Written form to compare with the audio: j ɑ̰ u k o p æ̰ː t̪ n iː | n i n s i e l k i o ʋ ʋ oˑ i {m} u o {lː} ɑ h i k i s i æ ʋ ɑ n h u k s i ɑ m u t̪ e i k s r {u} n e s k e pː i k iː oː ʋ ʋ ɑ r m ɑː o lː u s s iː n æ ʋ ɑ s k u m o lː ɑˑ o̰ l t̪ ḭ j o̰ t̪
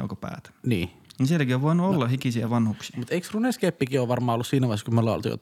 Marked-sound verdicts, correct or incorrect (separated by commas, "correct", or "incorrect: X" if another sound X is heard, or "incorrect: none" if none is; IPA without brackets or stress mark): incorrect: n, correct, correct